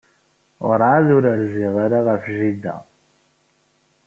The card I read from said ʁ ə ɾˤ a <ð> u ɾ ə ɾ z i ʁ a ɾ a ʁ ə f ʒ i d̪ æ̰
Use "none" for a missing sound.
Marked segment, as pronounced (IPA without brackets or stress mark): ð